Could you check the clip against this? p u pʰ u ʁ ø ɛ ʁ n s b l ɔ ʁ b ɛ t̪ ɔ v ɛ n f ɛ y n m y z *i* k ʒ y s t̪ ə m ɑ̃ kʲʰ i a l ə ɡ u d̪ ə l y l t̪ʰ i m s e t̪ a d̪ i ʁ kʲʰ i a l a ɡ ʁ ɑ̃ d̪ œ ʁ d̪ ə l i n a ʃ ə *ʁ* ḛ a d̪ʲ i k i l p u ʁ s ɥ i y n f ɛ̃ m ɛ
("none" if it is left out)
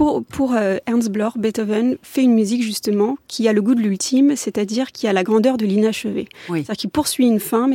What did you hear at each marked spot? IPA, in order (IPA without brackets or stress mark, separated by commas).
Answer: i, v